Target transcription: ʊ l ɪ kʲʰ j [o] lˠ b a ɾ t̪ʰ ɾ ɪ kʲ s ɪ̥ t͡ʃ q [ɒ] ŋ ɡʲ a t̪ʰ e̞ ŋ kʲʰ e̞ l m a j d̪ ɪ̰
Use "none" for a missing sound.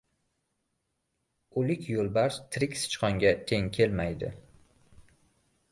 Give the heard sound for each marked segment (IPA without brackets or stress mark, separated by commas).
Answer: o, ɒ